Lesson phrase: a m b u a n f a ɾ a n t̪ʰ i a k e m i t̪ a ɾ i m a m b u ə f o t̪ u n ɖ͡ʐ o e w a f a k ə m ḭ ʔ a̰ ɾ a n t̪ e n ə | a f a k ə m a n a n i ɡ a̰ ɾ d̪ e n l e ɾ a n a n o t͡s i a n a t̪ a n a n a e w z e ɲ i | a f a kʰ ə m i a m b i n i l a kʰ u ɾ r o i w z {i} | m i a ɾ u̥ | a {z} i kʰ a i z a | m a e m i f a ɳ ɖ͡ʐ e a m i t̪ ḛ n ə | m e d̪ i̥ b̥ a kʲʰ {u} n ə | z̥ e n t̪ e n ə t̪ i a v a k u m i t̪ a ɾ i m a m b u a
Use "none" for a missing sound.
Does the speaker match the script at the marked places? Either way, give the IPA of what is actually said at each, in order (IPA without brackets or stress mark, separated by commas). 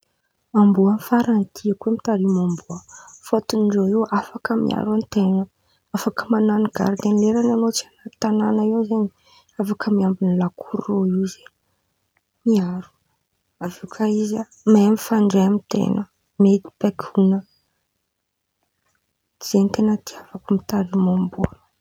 e, v, u